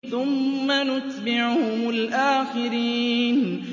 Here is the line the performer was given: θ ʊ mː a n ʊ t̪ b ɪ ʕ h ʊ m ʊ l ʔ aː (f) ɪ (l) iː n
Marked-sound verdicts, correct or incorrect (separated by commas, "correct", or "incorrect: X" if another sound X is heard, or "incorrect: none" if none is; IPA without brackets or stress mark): incorrect: x, incorrect: ɾ